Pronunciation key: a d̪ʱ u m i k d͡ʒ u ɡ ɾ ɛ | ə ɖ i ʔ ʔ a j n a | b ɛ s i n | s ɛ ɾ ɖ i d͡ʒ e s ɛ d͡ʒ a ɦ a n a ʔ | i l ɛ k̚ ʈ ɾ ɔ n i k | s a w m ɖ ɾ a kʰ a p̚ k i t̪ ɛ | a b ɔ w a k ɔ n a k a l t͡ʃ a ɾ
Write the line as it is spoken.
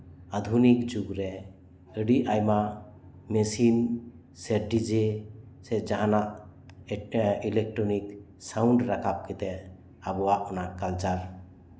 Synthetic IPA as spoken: a d̪ʱ u n i k d͡ʒ u ɡ ɾ ɛ | ə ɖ i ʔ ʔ a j m a | m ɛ s i n | s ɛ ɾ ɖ i d͡ʒ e s ɛ d͡ʒ a ɦ a n a ʔ | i l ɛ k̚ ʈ ɾ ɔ n i k | s a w ɳ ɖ ɾ a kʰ a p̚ k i t̪ ɛ | a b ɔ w a ʔ ɔ n a k a l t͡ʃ a ɾ